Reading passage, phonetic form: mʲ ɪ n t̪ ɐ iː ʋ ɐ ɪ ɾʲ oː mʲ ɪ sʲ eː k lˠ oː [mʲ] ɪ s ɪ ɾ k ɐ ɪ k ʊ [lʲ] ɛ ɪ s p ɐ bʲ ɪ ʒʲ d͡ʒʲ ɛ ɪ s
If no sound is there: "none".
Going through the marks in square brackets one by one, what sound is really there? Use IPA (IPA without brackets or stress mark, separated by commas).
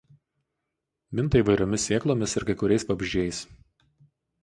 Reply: mʲ, ɾʲ